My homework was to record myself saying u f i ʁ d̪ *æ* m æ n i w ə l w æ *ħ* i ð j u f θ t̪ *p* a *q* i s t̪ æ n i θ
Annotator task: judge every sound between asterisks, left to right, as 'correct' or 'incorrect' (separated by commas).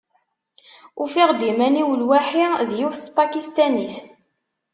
incorrect, correct, correct, incorrect